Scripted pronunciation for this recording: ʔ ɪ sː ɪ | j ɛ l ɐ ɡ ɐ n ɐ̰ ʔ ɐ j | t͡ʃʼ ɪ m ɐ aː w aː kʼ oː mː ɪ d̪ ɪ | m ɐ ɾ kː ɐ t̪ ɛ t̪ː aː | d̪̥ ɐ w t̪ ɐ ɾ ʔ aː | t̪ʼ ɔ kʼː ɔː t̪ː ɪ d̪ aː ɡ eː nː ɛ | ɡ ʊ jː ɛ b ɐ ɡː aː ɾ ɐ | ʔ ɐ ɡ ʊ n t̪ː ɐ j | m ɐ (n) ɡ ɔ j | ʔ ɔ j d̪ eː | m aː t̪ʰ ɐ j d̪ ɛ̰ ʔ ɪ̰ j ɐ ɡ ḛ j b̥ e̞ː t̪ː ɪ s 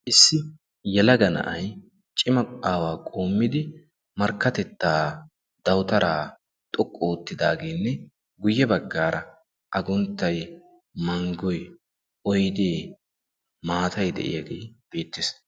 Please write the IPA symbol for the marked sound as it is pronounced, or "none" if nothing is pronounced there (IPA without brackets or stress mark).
ŋ